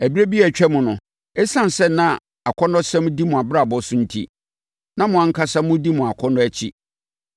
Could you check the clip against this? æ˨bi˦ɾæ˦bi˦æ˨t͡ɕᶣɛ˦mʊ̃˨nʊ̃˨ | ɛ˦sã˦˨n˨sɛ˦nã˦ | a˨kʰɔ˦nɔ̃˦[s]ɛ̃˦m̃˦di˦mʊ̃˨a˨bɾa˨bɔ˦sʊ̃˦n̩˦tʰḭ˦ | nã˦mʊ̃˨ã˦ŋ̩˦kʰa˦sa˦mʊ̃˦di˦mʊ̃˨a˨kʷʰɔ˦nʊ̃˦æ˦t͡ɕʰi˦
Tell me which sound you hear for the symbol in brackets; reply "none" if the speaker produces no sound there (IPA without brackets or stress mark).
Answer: s